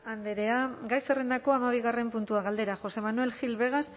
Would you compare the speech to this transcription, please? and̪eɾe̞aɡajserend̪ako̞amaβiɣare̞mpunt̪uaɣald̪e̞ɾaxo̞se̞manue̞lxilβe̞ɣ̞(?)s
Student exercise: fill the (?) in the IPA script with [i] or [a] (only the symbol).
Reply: a